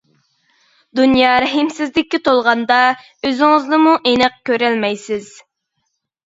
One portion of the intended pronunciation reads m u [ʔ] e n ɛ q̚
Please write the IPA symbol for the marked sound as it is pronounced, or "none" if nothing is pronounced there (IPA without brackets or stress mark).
ʔ